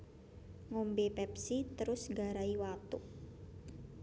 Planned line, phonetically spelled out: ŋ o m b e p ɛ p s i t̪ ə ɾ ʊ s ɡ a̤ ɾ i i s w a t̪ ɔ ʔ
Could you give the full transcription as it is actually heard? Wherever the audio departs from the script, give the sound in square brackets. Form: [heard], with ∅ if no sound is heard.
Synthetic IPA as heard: ŋ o m b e p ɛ p s i t̪ ə ɾ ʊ s ɡ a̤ ɾ [a] i [∅] w a t̪ [u] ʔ

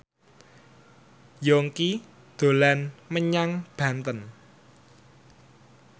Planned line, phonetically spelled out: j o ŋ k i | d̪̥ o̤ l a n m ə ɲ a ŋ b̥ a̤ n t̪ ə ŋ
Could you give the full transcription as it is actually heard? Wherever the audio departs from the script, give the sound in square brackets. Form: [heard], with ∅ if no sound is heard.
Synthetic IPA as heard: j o ŋ k i | d̪̥ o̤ l a n m ə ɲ a ŋ b̥ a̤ n t̪ ə [n]

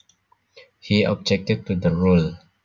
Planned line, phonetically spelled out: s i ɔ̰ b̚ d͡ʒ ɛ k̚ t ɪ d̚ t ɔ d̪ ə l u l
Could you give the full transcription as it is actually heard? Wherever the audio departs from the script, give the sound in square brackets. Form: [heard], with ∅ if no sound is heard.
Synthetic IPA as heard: [h] i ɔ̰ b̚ d͡ʒ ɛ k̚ t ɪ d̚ t [u] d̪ ə [ɹ] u l

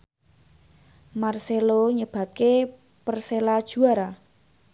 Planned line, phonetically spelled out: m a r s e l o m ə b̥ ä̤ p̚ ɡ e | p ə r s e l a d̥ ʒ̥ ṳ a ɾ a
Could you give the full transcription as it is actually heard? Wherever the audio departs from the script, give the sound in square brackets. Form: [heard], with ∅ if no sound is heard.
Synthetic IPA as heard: m a r s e l o [ɲ] ə b̥ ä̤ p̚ [k] e | p ə r s e l a d̥ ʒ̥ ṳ a ɾ a

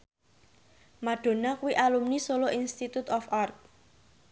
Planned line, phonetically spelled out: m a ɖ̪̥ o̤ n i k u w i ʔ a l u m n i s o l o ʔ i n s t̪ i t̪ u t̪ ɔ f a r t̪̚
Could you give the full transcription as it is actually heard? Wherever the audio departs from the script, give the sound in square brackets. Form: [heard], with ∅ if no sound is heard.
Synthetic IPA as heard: m a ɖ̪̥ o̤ n [a] k u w i ʔ a l u m n i s o l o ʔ i n s t̪ i t̪ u t̪ ɔ f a r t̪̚

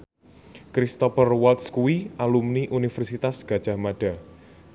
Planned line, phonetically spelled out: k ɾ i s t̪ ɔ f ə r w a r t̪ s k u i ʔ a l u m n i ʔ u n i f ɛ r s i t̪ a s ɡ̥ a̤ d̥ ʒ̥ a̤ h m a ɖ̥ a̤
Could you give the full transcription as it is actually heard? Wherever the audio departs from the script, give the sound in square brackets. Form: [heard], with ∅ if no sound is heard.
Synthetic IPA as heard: k ɾ i s t̪ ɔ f ə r w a [l] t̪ s k u i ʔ a l u m n i ʔ u n i f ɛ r s i t̪ a s ɡ̥ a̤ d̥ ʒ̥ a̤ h m a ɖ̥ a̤

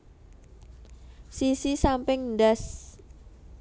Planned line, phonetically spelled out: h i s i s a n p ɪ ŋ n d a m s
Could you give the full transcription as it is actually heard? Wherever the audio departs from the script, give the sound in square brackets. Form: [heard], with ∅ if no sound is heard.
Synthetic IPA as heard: [s] i s i s a [m] p ɪ ŋ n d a [∅] s

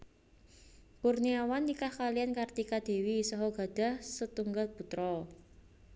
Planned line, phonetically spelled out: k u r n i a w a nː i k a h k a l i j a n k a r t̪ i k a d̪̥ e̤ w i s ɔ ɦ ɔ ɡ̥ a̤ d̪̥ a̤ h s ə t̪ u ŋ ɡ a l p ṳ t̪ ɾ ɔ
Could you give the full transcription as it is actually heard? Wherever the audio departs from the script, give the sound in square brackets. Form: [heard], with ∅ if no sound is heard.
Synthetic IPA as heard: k u r n i a w a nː i k a h k a l i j a n k a r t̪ i k a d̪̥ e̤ w i s ɔ ɦ ɔ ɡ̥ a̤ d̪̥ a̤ h s ə t̪ u ŋ ɡ a l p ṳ t̪ ɾ ɔ

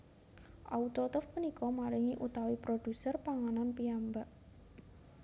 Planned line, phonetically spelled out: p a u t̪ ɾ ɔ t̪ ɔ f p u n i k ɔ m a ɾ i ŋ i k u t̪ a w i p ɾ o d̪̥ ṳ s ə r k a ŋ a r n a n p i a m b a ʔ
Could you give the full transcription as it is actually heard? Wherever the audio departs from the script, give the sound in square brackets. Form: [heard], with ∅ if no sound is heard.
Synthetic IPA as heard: [ʔ] a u t̪ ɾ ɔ t̪ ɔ f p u n i k ɔ m a ɾ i ŋ i [ʔ] u t̪ a w i p ɾ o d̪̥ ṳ s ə r [p] a ŋ a [∅] n a n p i a m b a ʔ

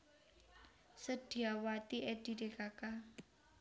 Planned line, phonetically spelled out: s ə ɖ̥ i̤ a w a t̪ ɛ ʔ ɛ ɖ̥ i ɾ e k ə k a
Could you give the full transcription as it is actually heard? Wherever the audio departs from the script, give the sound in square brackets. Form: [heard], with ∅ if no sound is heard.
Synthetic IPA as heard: s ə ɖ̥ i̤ a w a t̪ [i] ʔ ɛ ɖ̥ i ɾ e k [a] k a

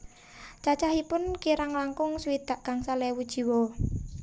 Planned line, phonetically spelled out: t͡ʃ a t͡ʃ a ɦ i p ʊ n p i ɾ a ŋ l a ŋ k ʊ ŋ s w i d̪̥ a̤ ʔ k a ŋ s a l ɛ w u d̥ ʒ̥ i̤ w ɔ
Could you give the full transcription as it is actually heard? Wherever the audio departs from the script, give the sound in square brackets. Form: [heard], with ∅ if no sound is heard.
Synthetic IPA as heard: t͡ʃ a t͡ʃ a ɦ i p ʊ n [k] i ɾ a ŋ l a ŋ k ʊ ŋ s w i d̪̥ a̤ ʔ k a ŋ s a l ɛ w u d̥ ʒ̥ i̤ w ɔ

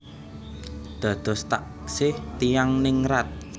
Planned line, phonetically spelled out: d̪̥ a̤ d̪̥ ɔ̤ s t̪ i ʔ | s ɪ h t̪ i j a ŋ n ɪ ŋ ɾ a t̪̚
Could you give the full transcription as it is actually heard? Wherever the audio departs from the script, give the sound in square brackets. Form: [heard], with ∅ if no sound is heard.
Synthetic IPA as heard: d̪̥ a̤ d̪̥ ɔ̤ s t̪ [a] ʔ | s ɪ h t̪ i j a ŋ n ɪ ŋ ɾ a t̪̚

